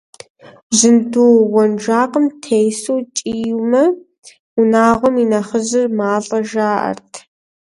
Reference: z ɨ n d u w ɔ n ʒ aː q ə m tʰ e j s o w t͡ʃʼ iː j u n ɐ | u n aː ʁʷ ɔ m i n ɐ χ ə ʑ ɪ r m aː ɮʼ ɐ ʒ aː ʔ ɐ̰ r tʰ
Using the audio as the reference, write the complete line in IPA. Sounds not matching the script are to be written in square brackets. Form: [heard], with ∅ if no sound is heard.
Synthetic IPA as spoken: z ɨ n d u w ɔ n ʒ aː q ə m tʰ e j s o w t͡ʃʼ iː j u [m] ɐ | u n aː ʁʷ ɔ m i n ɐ χ ə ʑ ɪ r m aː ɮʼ ɐ ʒ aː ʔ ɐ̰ r tʰ